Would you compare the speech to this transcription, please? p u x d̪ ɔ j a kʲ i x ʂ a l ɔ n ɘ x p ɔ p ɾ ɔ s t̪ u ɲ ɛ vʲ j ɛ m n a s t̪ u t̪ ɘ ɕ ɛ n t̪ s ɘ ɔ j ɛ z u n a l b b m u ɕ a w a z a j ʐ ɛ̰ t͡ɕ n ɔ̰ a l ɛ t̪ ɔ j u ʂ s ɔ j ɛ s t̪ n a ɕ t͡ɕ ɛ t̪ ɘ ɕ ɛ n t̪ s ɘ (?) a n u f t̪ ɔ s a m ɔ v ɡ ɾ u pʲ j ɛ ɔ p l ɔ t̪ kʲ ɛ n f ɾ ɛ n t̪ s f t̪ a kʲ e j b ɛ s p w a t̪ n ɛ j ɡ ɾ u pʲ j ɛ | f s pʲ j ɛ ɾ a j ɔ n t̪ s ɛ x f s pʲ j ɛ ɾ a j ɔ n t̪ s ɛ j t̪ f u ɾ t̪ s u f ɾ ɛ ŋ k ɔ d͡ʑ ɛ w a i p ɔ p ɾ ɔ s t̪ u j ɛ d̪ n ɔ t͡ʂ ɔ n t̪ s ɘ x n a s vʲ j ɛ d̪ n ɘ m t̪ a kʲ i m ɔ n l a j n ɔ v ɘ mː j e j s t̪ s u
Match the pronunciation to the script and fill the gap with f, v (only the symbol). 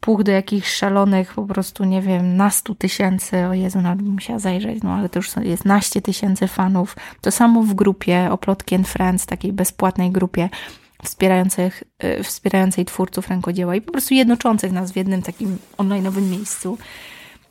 f